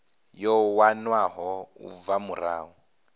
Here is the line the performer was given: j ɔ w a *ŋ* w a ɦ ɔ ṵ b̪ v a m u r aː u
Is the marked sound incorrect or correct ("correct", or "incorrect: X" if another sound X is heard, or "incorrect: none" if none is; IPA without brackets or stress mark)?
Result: incorrect: n